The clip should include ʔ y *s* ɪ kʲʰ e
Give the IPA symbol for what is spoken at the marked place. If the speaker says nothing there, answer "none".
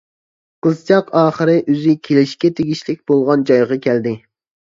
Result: z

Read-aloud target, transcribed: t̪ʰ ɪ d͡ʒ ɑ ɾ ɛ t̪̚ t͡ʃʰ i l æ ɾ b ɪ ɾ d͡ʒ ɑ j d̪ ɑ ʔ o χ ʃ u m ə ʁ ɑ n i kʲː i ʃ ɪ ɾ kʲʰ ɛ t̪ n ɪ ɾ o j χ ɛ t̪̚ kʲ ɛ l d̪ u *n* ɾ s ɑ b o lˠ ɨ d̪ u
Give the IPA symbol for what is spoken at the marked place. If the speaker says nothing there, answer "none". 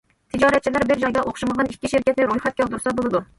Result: none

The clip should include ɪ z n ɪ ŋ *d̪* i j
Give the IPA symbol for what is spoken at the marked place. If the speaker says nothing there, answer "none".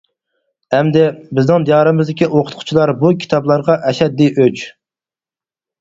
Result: d̪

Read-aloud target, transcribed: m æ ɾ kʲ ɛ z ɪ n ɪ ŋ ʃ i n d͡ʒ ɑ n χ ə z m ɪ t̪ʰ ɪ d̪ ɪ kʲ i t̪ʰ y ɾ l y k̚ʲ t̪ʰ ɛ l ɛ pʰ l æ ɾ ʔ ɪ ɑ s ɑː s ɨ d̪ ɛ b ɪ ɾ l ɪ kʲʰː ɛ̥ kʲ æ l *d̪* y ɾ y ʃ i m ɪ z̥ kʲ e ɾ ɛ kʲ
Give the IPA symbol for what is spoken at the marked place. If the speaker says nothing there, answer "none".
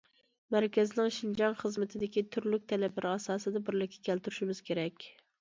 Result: t̪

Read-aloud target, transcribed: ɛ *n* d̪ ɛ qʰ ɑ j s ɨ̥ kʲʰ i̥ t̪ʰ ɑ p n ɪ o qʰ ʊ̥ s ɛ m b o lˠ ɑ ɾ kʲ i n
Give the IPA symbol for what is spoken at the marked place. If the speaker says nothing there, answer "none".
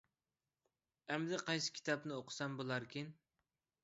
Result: m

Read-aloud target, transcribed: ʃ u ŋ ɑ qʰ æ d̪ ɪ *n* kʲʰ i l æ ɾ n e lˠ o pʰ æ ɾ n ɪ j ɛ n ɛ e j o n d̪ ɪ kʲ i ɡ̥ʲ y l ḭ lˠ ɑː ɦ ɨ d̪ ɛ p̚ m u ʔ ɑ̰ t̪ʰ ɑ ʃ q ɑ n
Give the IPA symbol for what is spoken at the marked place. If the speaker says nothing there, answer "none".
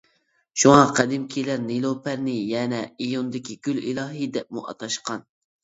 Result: m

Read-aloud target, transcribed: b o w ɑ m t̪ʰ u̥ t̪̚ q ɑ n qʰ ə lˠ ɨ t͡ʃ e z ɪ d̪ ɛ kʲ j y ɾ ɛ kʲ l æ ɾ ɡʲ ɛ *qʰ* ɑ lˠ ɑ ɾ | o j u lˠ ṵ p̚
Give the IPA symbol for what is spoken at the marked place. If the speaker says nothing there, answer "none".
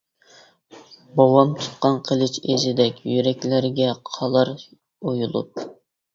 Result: qʰ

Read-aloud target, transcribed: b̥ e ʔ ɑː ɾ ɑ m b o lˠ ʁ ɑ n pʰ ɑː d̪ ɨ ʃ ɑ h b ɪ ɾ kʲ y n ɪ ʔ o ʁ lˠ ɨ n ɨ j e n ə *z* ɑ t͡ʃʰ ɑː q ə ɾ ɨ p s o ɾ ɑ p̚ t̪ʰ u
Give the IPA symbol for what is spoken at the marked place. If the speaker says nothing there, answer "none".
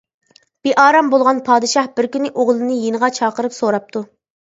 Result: ʁ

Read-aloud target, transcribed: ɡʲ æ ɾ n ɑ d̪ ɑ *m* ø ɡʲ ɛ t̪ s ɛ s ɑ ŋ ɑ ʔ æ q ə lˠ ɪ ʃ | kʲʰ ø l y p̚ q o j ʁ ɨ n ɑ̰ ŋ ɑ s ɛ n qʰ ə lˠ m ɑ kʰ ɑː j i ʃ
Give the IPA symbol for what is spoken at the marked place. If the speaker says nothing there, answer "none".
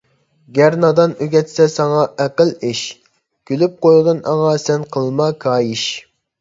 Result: n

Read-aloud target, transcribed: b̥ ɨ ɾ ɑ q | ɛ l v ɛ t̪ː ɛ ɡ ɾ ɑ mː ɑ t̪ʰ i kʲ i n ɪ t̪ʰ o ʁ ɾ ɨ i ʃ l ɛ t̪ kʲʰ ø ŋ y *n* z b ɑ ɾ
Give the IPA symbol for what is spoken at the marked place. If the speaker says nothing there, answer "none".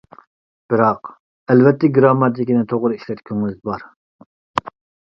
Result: none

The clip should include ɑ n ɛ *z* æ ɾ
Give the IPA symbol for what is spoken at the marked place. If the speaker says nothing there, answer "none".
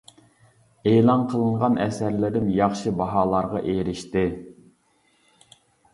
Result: s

